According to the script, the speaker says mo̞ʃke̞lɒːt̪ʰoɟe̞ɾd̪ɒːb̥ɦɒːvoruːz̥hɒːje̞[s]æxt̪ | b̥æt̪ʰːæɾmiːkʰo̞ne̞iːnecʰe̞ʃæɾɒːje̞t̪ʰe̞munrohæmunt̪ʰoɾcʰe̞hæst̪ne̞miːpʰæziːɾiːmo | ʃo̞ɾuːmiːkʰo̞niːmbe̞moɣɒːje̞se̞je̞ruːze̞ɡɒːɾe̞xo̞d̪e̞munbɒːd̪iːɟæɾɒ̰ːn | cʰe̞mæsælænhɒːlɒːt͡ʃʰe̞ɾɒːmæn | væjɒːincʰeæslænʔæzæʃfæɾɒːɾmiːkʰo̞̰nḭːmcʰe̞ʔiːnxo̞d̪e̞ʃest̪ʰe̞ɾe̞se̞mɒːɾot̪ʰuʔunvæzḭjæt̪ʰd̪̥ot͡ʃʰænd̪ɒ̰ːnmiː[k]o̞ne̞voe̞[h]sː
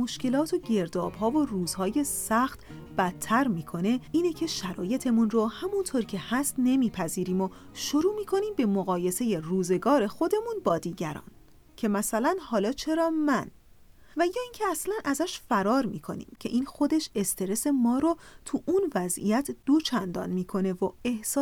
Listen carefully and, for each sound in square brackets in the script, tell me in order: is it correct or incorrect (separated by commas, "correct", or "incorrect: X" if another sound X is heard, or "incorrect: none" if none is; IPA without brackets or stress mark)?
correct, incorrect: kʰ, correct